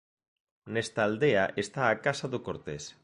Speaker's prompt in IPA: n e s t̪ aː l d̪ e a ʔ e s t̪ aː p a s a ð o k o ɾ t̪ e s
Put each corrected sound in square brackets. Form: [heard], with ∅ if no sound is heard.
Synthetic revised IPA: n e s t̪ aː l d̪ e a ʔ e s t̪ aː [k] a s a ð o k o ɾ t̪ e s